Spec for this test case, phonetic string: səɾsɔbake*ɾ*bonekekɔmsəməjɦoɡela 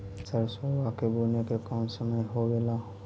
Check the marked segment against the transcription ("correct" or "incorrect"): incorrect